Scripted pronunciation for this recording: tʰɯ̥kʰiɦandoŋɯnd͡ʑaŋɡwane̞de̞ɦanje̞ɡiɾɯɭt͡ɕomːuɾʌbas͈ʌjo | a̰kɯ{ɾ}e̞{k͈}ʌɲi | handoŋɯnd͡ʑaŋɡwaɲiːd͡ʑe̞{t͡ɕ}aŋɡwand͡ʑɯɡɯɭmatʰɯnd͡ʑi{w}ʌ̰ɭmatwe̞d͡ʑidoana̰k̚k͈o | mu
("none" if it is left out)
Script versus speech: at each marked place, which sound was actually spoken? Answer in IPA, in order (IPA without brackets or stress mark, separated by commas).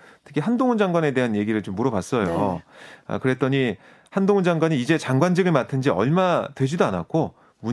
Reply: ɾ, t͈, t͡ɕ, none